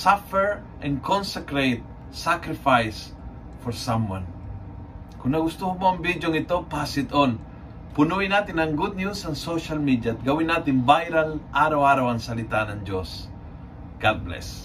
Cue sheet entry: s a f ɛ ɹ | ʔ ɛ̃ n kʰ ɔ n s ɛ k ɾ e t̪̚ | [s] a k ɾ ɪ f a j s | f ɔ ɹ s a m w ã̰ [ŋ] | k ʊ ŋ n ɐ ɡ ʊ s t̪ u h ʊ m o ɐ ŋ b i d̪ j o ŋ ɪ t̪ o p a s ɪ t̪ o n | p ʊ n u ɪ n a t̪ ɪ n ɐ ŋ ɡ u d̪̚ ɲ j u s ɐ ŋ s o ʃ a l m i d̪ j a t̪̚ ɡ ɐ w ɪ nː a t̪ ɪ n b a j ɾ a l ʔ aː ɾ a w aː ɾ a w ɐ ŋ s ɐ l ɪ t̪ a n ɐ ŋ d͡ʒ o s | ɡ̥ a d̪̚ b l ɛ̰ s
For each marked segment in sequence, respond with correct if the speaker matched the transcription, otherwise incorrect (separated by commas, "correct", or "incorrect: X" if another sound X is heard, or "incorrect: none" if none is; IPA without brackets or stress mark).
correct, incorrect: n